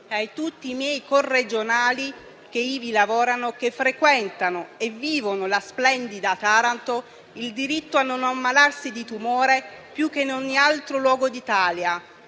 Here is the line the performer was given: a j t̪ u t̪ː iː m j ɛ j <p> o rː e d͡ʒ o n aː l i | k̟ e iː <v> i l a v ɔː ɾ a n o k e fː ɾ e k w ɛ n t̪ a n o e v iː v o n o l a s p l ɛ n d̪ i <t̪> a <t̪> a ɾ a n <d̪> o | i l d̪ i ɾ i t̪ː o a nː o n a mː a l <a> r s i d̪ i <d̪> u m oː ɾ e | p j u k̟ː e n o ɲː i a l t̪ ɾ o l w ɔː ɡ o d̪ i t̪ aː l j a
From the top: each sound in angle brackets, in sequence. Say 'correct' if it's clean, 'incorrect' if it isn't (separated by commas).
incorrect, correct, incorrect, correct, incorrect, correct, incorrect